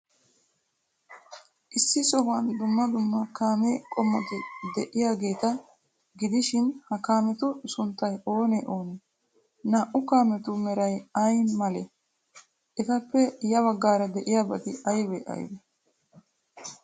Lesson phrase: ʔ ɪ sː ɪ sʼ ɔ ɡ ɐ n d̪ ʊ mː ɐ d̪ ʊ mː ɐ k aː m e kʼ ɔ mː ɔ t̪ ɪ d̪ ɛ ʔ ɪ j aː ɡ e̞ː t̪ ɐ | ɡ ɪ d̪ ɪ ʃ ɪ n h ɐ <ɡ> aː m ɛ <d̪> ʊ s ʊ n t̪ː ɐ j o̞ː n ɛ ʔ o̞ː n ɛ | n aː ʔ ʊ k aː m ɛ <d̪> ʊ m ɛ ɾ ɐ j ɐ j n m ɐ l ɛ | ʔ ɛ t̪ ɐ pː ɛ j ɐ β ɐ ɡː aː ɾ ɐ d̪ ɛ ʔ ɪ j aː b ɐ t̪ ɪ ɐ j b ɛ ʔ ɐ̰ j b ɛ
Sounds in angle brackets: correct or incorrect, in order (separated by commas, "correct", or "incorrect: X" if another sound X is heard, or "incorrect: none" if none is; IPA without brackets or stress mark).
incorrect: k, incorrect: t̪, incorrect: t̪